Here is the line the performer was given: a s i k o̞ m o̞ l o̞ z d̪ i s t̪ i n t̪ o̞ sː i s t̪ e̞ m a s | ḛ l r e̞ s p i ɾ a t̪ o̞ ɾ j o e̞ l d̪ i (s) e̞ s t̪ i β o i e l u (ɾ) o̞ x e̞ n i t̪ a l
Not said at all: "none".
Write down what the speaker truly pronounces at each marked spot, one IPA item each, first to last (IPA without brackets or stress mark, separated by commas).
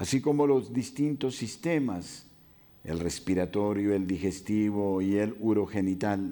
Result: x, ɾ